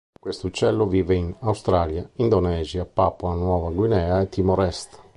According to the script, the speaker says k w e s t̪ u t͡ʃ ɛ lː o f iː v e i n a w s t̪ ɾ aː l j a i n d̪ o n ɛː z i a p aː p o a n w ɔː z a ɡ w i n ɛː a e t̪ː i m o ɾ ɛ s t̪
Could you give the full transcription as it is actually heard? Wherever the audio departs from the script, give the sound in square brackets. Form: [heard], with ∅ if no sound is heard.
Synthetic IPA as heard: k w e s t̪ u t͡ʃ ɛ lː o [v] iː v e i n a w s t̪ ɾ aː l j a i n d̪ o n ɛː z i a p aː p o a n w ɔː [v] a ɡ w i n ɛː a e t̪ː i m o ɾ ɛ s t̪